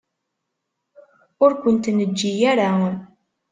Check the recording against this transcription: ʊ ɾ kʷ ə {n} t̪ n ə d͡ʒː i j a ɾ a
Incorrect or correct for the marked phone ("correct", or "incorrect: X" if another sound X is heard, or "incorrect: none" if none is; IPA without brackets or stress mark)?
correct